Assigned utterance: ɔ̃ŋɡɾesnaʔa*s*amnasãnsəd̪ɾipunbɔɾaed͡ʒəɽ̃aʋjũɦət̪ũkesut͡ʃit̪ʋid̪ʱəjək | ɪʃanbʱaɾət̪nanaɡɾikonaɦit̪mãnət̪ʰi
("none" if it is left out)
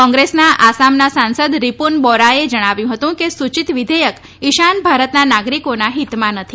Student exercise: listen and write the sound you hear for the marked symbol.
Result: s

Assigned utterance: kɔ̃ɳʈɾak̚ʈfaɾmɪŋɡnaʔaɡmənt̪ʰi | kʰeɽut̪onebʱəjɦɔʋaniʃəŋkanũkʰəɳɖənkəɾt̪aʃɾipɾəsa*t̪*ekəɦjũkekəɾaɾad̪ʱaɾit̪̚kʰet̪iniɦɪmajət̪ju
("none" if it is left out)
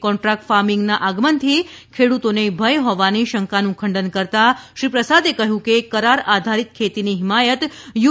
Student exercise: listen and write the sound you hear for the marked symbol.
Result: d̪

